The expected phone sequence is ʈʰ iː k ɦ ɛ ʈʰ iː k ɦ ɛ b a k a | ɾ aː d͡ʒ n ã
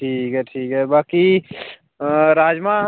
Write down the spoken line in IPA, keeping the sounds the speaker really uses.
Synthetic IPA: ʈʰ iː k ɦ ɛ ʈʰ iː k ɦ ɛ b a k i | ɾ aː d͡ʒ m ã